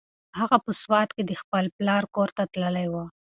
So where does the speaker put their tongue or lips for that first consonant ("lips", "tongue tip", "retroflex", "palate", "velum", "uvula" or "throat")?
throat